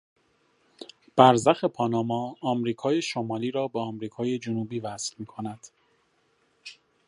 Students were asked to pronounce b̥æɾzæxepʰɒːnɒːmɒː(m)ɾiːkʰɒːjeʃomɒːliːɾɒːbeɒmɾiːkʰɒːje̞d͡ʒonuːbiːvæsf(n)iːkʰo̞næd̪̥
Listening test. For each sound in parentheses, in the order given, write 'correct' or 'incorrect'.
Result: correct, incorrect: m

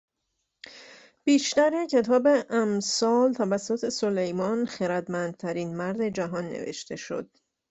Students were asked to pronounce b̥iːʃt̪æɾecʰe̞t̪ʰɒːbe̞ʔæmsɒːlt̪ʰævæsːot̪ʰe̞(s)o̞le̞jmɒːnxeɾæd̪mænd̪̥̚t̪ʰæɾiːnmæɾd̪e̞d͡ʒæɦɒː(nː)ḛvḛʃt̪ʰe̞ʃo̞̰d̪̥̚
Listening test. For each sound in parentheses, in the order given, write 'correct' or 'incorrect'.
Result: correct, correct

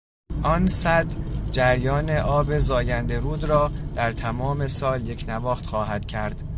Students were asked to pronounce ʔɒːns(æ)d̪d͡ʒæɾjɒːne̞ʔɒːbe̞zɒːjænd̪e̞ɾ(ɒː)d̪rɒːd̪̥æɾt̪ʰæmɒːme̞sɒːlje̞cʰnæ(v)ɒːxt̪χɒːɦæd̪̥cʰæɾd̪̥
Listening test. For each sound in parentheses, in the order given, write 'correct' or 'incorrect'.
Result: correct, incorrect: uː, correct

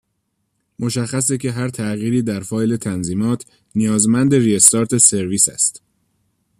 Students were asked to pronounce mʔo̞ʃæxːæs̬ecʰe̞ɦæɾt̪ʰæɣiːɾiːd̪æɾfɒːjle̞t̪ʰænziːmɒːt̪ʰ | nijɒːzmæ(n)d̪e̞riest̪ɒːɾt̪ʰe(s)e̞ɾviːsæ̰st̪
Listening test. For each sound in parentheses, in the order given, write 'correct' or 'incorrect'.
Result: correct, correct

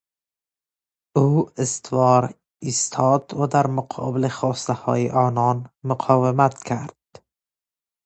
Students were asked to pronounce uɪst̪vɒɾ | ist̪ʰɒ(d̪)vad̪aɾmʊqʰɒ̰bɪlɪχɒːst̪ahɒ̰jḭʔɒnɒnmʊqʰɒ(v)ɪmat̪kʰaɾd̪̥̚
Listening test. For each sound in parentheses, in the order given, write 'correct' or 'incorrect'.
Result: correct, correct

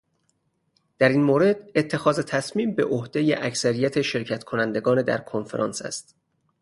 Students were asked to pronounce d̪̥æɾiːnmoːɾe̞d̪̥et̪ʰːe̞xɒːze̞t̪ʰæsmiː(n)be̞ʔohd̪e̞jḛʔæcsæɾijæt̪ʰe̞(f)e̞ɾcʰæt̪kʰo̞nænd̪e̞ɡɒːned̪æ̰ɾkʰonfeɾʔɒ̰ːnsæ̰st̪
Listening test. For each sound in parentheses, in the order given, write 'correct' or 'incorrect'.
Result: incorrect: m, incorrect: ʃ

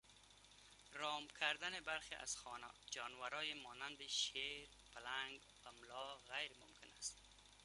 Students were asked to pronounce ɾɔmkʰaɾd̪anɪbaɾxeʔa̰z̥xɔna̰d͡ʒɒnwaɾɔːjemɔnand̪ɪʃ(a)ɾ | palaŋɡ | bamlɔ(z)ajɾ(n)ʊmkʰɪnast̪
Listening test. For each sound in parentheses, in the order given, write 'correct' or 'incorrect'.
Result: incorrect: e, incorrect: ɣ, incorrect: m

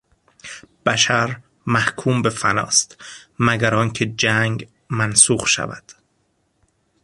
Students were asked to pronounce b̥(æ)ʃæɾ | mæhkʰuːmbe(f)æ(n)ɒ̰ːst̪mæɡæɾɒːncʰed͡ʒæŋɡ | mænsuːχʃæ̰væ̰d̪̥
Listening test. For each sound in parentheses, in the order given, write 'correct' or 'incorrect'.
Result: correct, correct, correct

